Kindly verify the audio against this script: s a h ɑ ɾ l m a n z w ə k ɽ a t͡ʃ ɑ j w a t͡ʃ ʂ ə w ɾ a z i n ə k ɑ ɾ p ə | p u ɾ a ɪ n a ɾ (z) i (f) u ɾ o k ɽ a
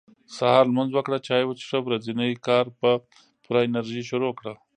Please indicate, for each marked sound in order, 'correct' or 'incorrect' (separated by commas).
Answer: incorrect, incorrect